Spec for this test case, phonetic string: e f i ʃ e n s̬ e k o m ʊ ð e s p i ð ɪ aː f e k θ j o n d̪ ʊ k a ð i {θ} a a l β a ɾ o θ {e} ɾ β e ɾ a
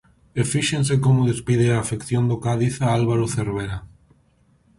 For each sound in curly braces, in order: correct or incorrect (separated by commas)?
correct, correct